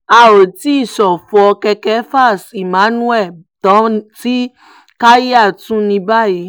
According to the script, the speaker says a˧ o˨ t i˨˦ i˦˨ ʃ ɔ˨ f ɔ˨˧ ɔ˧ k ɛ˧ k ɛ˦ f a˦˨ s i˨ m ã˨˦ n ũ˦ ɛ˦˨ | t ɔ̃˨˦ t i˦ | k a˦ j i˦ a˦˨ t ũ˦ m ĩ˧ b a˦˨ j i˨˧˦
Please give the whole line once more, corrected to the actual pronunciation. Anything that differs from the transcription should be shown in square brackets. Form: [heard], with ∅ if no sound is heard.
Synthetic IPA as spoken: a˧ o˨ t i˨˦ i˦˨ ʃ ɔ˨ f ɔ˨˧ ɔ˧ k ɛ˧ k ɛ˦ f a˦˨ s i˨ m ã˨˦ n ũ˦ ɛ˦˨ | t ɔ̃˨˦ t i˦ | k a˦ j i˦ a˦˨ t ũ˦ [n] ĩ˧ b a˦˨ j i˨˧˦

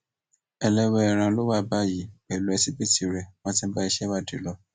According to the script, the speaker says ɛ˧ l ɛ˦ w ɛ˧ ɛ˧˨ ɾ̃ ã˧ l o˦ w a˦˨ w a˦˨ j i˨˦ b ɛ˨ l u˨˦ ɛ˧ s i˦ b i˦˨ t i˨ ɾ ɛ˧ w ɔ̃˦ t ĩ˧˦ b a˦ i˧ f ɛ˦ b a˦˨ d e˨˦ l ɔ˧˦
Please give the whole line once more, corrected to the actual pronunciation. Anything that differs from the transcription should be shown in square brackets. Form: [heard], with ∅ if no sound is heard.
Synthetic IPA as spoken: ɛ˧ l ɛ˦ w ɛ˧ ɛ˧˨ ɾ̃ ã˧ l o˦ w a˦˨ [b] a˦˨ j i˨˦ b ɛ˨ l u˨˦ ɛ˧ s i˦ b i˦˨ t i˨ ɾ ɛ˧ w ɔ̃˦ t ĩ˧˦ b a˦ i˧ [ʃ] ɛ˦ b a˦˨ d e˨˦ l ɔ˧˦

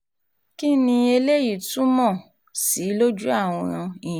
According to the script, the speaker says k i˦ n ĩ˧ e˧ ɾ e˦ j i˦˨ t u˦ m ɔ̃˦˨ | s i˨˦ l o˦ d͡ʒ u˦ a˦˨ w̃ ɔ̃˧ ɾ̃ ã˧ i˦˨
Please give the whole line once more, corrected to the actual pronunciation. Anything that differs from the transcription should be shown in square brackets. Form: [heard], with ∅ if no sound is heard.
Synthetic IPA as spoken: k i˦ n ĩ˧ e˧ [l] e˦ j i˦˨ t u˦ m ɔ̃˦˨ | s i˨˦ l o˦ d͡ʒ u˦ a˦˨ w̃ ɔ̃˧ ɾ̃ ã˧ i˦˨

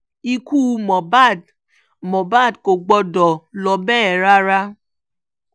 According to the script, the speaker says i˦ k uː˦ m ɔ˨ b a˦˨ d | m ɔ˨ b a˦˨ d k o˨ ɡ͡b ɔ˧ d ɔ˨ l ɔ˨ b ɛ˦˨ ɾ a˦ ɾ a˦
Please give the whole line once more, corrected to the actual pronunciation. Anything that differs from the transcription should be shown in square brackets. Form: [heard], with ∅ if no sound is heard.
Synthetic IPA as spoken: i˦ k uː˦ m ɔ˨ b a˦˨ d | m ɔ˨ b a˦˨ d k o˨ ɡ͡b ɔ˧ d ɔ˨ l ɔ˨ b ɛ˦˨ ɾ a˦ ɾ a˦

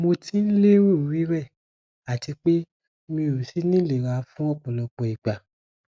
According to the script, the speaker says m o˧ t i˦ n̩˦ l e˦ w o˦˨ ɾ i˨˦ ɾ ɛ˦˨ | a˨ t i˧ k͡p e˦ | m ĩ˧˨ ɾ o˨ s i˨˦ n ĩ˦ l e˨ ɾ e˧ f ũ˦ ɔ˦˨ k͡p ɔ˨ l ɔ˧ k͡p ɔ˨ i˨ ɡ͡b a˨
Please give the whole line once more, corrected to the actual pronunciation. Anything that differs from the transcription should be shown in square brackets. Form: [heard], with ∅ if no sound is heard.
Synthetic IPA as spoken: m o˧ t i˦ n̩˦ l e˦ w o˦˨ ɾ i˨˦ ɾ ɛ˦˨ | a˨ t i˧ k͡p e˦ | m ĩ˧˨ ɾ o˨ s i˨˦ n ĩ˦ l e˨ ɾ [a˧] f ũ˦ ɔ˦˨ k͡p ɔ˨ l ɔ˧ k͡p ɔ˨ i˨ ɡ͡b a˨

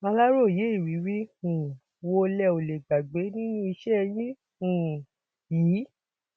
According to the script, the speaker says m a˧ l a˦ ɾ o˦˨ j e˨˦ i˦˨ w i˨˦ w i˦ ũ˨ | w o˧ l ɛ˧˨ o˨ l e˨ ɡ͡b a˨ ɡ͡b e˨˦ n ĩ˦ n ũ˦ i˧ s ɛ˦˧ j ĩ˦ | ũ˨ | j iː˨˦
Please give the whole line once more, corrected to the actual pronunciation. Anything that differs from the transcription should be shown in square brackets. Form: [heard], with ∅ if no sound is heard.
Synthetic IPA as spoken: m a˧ l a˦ ɾ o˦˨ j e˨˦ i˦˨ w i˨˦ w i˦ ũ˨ | w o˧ l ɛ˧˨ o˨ l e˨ ɡ͡b a˨ ɡ͡b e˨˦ n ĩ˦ n ũ˦ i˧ [ʃ] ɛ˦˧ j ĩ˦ | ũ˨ | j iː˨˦

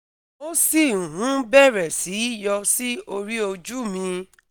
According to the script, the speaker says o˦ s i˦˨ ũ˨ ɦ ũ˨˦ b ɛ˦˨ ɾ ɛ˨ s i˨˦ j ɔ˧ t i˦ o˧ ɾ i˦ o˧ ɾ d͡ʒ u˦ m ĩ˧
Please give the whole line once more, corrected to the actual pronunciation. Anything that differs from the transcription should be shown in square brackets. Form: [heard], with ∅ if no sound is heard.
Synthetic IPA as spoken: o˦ s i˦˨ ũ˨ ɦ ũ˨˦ b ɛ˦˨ ɾ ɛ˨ s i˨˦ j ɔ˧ [s] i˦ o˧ ɾ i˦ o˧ [∅] d͡ʒ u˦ m ĩ˧

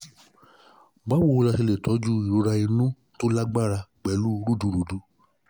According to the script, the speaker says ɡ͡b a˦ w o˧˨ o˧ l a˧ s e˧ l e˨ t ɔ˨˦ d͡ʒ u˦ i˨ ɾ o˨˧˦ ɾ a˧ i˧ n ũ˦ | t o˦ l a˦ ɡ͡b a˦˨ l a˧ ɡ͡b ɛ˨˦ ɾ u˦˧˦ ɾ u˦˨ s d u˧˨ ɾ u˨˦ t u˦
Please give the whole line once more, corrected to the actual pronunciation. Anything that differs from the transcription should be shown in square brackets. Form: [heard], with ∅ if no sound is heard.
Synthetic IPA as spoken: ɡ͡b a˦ w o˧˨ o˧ l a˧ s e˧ l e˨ t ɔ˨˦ d͡ʒ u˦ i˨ ɾ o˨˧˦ ɾ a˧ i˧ n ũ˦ | t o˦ l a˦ ɡ͡b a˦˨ [ɾ] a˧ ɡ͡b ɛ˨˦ [l] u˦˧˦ ɾ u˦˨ [∅] d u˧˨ ɾ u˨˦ [d] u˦

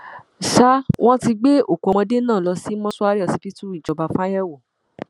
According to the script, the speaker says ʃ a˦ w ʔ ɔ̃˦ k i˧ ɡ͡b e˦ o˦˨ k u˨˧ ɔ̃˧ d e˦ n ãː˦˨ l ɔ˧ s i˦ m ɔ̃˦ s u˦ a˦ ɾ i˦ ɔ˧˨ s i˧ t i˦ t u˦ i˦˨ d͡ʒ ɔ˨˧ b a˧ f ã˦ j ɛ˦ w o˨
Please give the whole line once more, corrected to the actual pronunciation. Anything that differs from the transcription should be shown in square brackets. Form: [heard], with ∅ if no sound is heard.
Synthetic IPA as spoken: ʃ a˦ w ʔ ɔ̃˦ [t] i˧ ɡ͡b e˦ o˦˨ k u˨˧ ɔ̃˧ d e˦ n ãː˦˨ l ɔ˧ s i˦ m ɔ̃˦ s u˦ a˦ ɾ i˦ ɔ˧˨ s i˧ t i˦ t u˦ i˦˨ d͡ʒ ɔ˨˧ b a˧ f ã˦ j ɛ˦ w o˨

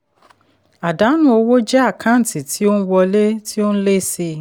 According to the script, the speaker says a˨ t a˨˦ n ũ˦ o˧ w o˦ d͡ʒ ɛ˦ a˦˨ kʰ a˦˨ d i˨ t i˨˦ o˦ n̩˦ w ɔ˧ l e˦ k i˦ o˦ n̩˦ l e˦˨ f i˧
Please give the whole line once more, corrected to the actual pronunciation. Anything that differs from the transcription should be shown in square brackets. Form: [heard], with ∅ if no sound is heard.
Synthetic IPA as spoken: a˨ [d] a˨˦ n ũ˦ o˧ w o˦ d͡ʒ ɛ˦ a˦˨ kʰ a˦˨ [t] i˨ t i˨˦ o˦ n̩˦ w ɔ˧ l e˦ [t] i˦ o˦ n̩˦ l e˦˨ [s] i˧

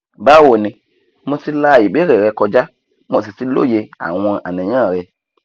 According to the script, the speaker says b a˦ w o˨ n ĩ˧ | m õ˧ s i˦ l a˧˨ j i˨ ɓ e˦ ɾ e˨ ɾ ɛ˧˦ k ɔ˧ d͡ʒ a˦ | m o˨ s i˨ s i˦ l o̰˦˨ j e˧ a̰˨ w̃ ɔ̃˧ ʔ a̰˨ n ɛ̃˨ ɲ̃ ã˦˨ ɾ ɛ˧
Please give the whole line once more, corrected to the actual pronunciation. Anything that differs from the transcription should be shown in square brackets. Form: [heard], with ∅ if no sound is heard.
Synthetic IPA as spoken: b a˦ w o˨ n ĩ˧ | m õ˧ s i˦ l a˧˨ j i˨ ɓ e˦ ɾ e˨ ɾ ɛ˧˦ k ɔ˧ d͡ʒ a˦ | m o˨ s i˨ s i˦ l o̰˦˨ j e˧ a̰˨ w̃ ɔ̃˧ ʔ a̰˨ n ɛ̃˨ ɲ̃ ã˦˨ ɾ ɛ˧

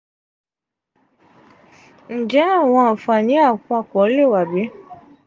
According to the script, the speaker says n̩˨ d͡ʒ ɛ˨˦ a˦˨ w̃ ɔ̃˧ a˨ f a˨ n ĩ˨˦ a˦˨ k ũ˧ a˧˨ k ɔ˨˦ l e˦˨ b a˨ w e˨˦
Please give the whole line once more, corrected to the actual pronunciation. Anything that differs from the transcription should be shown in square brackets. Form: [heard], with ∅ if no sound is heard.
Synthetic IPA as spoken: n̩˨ d͡ʒ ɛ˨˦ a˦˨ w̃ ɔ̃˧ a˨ f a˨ n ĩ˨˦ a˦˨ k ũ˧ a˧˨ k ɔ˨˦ l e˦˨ [w] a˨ [b] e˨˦

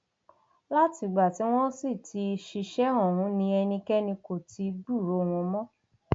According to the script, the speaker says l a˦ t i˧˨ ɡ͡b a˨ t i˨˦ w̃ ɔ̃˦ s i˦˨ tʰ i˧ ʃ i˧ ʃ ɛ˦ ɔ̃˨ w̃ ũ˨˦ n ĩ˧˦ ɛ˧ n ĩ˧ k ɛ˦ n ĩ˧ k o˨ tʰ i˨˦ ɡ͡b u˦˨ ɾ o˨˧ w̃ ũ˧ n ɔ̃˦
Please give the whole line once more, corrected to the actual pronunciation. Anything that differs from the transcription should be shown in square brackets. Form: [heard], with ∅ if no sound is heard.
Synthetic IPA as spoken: l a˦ t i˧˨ ɡ͡b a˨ t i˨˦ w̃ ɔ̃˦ s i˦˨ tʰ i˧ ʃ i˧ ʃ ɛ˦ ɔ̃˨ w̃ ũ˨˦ n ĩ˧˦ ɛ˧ n ĩ˧ k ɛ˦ n ĩ˧ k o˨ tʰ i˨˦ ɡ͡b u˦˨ ɾ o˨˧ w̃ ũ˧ [m] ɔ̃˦

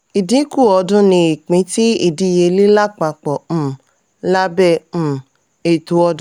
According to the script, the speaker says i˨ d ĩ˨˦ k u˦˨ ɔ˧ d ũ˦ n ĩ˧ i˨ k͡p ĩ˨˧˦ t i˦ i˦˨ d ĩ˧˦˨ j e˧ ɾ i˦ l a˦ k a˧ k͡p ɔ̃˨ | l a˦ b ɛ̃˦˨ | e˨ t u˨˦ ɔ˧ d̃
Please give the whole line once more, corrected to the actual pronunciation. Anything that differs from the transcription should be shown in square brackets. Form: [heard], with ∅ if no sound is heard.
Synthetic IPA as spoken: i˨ d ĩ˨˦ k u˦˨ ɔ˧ d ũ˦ n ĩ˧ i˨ k͡p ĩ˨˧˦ t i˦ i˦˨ d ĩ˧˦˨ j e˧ [l] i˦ l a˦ [k͡p] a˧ k͡p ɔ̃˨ | l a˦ b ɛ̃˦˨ | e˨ t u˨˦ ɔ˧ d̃

